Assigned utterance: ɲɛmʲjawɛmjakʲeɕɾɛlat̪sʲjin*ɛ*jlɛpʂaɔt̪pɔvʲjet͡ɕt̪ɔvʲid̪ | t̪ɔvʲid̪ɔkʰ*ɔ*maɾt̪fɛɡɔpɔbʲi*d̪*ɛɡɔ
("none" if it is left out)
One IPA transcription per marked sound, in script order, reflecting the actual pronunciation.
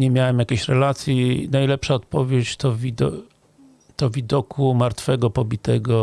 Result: a, u, t̪

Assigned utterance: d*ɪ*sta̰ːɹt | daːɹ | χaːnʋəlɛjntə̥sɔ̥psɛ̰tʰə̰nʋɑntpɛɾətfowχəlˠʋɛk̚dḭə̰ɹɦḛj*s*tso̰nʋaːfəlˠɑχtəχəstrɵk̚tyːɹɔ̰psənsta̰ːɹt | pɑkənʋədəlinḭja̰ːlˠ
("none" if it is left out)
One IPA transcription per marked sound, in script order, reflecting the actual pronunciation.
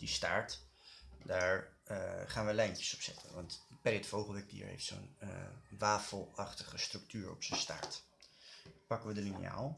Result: i, f

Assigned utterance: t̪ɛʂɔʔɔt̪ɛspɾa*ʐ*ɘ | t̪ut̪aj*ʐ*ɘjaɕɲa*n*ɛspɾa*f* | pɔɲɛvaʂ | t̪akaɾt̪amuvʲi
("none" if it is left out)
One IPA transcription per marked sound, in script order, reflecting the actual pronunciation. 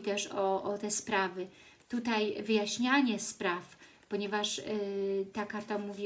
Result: v, v, ɲ, f

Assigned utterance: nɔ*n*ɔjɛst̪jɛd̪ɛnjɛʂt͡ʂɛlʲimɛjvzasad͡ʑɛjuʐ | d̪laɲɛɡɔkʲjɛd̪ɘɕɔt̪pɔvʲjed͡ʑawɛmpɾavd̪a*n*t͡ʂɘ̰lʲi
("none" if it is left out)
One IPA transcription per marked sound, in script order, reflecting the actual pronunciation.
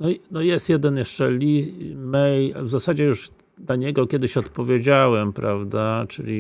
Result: n, none

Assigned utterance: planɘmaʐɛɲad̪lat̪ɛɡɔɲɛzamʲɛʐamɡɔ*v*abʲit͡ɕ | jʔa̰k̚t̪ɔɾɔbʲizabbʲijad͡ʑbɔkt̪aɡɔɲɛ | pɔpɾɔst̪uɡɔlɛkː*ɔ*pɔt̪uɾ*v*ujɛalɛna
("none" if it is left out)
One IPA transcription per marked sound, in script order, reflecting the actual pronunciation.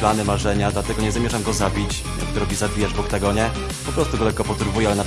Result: z, ɔ, v

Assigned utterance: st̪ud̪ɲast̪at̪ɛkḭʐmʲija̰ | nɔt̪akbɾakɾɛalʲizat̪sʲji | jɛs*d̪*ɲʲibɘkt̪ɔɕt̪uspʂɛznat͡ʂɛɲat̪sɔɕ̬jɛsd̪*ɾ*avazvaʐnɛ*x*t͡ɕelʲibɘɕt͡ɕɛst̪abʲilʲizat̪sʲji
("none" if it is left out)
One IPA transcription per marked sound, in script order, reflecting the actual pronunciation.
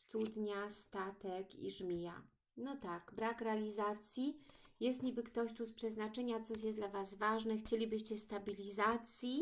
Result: t̪, l, x

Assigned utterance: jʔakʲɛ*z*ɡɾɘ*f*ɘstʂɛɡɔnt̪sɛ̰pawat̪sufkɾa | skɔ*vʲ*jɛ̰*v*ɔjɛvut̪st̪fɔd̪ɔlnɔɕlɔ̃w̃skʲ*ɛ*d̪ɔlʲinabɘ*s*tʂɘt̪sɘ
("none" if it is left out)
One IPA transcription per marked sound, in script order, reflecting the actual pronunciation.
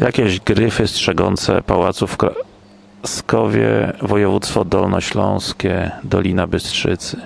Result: ʑ, f, vʲ, v, ɛ, s

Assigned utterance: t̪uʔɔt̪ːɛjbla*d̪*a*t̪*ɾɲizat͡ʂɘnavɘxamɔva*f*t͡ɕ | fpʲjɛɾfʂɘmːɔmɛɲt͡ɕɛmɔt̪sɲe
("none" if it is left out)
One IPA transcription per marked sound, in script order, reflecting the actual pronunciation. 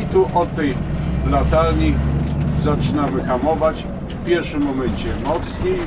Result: t̪, none, none

